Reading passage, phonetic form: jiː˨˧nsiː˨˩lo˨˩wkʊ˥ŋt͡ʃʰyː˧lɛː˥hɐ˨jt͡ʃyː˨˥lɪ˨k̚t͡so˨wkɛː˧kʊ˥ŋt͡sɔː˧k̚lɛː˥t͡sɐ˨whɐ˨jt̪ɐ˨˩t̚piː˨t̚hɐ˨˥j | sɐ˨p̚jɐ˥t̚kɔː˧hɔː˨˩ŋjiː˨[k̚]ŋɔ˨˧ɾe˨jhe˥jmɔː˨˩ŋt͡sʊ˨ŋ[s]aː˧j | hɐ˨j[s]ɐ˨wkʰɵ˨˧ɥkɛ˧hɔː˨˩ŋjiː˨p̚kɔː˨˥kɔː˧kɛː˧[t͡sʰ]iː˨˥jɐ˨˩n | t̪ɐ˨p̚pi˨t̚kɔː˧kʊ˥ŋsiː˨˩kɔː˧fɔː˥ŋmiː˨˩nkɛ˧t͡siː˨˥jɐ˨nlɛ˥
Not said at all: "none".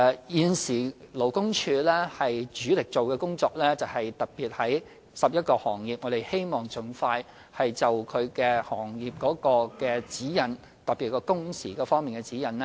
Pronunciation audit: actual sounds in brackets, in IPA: p̚, f, t͡s, t͡s

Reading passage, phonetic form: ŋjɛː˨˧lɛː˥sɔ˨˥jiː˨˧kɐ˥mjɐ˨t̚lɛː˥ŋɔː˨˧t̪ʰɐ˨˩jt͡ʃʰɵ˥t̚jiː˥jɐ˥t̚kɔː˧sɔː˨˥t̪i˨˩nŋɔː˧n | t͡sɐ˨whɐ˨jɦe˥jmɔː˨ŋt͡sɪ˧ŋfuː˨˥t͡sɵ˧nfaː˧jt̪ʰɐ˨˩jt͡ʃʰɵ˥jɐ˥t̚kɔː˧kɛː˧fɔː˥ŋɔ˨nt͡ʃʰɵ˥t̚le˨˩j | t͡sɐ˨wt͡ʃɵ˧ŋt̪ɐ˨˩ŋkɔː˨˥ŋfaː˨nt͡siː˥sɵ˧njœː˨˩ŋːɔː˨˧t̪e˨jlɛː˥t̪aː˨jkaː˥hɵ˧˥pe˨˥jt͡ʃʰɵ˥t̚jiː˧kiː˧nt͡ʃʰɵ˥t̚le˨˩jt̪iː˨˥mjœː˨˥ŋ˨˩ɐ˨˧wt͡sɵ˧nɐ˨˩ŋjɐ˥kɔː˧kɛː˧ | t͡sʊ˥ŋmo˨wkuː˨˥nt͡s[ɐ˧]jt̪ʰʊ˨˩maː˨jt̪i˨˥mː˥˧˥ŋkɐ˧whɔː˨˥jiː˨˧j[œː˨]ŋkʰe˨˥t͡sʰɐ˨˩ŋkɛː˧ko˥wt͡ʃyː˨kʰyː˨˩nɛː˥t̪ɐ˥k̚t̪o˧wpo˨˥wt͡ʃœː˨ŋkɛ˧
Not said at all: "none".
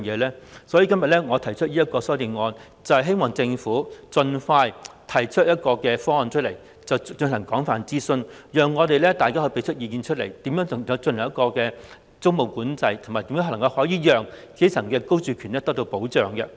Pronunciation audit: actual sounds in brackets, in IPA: ɐ˧, œː˨

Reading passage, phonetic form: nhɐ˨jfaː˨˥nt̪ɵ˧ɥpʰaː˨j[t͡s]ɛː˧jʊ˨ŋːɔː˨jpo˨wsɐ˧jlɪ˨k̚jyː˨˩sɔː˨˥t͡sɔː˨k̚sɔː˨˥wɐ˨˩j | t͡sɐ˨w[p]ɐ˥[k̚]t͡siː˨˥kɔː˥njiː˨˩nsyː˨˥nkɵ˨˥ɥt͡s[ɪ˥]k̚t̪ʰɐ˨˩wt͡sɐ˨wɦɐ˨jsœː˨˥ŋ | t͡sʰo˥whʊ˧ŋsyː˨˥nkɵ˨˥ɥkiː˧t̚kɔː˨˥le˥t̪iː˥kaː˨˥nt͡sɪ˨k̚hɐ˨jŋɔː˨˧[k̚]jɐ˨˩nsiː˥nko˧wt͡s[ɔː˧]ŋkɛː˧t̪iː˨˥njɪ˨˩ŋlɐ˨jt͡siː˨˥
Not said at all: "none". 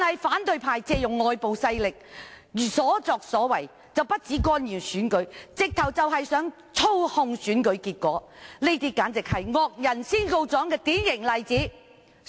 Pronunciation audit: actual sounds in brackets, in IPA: t͡s, p, t̚, ɪ˨, k̚, ɔː˨˥

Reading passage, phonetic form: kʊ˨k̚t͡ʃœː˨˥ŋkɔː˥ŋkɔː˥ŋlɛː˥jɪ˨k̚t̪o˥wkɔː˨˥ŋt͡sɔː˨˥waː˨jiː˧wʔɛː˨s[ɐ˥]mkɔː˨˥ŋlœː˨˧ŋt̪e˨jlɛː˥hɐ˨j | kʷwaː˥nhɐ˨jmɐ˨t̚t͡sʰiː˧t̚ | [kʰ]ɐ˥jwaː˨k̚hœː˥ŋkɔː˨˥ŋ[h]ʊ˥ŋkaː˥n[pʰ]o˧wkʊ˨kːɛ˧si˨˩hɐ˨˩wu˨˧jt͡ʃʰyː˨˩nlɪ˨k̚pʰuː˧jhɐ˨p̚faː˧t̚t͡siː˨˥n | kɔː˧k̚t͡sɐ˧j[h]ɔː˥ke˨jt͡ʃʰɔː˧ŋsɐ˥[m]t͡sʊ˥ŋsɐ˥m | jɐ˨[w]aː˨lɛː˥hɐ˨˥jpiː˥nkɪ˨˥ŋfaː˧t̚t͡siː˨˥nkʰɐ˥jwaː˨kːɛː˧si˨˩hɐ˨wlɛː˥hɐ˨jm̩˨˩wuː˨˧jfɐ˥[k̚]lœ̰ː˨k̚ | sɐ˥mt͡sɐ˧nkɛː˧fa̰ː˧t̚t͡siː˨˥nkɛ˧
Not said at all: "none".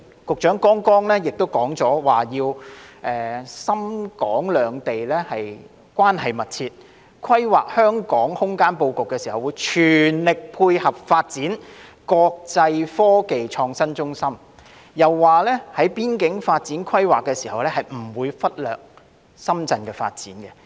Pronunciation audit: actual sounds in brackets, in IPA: ɐ˥, kʰ, h, p, f, n, wː, t̚

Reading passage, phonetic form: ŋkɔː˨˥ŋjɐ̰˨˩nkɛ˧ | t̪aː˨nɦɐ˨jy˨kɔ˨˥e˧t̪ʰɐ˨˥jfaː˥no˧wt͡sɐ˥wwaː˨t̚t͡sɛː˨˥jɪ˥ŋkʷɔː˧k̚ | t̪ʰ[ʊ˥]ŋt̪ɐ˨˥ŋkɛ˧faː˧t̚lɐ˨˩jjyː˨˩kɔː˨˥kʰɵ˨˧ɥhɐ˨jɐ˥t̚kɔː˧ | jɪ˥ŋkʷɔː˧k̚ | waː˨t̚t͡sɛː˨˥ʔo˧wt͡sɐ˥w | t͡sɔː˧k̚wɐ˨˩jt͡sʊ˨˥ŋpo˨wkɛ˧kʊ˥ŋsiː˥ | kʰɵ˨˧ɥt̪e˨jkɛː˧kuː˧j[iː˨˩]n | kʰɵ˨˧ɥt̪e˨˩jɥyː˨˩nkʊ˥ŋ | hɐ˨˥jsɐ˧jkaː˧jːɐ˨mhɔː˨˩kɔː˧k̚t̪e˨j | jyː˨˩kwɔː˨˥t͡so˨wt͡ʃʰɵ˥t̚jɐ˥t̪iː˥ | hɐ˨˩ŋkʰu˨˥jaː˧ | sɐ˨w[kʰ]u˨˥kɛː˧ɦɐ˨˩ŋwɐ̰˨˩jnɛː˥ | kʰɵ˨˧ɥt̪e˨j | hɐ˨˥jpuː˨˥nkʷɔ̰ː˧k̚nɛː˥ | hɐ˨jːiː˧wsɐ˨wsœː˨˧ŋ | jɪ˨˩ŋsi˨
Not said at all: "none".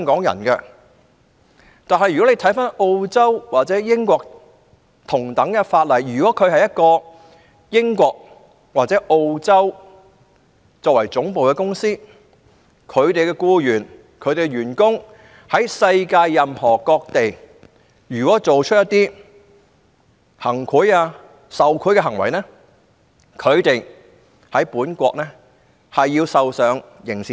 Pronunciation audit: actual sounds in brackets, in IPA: ʊ˨˩, yː˨˩, kʰ

